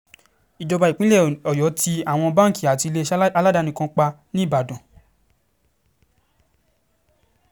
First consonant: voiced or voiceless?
voiced